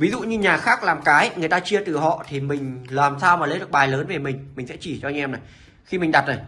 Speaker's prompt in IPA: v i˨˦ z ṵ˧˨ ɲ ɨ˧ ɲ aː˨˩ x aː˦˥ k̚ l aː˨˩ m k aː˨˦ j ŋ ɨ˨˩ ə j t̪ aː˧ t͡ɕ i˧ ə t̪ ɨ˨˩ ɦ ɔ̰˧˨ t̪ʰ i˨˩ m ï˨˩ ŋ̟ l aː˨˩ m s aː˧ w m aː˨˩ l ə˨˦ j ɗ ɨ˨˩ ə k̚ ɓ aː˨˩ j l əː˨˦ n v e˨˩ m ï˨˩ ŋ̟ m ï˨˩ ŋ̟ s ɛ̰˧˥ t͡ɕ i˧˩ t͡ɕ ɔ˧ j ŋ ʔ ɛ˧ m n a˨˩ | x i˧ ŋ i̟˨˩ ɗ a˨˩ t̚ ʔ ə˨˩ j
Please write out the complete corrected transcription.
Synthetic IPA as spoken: v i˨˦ z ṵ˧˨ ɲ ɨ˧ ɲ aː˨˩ x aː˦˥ k̚ l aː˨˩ m k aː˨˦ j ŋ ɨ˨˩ ə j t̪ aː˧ t͡ɕ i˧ ə t̪ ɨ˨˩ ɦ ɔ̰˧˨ t̪ʰ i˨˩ m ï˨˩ ŋ̟ l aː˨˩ m s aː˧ w m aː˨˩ l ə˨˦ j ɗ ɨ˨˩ ə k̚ ɓ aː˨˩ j l əː˨˦ n v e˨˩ m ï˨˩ ŋ̟ m ï˨˩ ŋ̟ s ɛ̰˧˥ t͡ɕ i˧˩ t͡ɕ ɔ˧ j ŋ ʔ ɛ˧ m n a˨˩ | x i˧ m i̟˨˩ ɗ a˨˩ t̚ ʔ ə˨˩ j

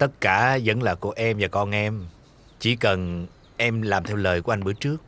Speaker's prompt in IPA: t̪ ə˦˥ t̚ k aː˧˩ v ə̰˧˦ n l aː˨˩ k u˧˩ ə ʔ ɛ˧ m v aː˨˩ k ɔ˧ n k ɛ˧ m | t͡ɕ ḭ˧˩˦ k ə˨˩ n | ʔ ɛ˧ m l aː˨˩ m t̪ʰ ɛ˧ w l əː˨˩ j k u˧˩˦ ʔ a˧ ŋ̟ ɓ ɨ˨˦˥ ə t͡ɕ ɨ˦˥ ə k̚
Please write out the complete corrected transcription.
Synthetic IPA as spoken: t̪ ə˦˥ t̚ k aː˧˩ z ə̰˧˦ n l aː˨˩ k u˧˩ ə ʔ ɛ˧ m v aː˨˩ k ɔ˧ n ʔ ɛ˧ m | t͡ɕ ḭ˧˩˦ k ə˨˩ n | ʔ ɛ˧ m l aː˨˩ m t̪ʰ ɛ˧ w l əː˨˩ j k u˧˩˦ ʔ a˧ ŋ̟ ɓ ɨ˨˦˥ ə t͡ɕ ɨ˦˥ ə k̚

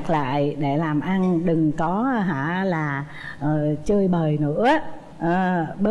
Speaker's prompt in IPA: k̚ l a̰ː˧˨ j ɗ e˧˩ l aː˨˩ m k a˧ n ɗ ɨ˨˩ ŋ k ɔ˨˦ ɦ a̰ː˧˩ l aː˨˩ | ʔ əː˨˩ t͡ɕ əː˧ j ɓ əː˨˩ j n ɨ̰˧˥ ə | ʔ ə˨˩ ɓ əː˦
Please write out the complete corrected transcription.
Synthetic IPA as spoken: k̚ l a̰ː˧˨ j ɗ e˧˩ l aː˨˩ m ʔ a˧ n ɗ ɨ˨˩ ŋ k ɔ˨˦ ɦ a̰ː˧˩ l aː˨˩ | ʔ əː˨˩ t͡ɕ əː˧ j ɓ əː˨˩ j n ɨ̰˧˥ ə | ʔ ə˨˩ ɓ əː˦

